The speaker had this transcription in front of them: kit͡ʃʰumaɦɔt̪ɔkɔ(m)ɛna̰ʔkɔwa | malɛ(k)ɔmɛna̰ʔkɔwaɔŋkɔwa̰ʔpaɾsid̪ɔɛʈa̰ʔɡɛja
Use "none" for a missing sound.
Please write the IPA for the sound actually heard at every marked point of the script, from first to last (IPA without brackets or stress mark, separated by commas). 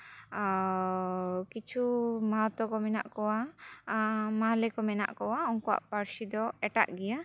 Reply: m, k